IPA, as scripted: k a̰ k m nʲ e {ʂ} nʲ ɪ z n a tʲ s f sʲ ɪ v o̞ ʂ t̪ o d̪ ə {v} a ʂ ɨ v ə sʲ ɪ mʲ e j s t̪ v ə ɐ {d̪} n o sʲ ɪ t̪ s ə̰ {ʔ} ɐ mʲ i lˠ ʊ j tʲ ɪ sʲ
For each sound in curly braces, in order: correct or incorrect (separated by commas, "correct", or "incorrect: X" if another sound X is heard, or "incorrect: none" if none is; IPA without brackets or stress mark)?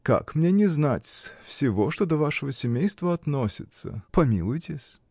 incorrect: none, correct, incorrect: t̪, incorrect: p